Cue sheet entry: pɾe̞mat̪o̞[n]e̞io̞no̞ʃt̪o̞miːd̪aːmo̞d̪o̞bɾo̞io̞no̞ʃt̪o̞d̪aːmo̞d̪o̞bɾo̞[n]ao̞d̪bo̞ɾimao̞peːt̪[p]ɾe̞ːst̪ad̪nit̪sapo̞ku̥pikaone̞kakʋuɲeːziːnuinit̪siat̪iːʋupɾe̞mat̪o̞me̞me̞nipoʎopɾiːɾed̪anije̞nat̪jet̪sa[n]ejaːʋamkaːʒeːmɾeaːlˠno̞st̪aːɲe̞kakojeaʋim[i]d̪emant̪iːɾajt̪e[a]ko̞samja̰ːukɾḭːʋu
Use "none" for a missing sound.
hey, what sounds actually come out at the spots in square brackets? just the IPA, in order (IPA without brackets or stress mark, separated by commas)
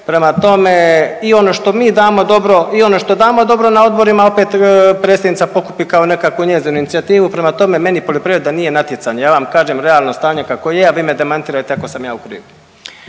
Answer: m, n, p, ɲ, e, a